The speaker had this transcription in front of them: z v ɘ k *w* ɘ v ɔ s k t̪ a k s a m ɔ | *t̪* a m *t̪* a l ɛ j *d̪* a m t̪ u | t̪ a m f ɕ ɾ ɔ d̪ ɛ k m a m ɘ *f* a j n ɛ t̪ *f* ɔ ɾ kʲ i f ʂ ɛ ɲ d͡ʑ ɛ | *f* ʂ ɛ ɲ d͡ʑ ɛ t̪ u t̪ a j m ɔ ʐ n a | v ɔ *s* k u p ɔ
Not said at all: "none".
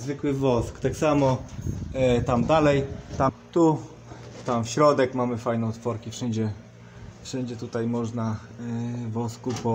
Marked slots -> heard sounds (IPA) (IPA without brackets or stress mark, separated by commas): w, t̪, d̪, t̪, f, f, f, s